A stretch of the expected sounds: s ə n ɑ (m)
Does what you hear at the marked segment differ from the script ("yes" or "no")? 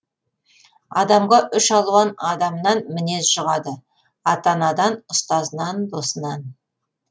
yes